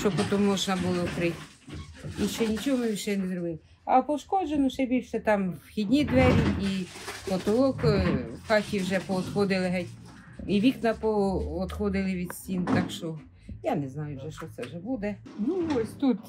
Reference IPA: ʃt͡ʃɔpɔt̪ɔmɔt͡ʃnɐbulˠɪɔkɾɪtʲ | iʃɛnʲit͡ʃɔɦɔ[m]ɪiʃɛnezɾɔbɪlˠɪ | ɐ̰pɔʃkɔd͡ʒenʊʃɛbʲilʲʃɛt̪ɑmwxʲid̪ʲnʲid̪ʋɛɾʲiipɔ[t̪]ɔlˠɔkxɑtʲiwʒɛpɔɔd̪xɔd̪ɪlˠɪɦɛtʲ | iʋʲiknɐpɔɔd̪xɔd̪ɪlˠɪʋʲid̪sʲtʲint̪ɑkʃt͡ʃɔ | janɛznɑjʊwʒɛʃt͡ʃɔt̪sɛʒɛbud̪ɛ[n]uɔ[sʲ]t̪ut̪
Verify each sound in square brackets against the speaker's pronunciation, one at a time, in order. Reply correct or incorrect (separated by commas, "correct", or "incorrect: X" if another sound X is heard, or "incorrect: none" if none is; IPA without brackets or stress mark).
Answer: correct, correct, correct, correct